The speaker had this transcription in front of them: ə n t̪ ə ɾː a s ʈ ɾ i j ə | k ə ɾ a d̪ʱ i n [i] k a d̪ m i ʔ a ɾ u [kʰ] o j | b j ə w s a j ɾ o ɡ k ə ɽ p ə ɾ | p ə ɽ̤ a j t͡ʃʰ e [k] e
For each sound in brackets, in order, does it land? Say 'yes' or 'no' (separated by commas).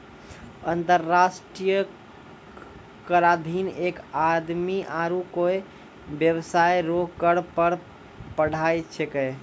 no, no, yes